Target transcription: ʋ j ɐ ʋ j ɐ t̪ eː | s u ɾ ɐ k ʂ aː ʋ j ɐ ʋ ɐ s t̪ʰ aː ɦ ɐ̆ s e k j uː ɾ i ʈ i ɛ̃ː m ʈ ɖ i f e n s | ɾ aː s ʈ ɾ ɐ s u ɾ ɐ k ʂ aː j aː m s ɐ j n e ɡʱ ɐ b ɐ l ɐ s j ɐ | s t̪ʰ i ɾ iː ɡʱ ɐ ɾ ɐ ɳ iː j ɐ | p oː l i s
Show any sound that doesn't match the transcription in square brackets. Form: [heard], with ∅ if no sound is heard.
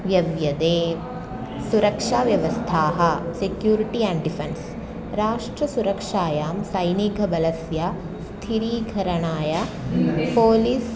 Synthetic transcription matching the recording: ʋ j ɐ ʋ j ɐ [d̪] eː | s u ɾ ɐ k ʂ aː ʋ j ɐ ʋ ɐ s t̪ʰ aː ɦ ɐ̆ s e k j uː ɾ i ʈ i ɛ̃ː [ɳ] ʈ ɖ i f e n s | ɾ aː [ʂ] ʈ ɾ ɐ s u ɾ ɐ k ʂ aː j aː m s ɐ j n [i] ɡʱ ɐ b ɐ l ɐ s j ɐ | s t̪ʰ i ɾ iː ɡʱ ɐ ɾ ɐ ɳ [aː] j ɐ | p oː l i s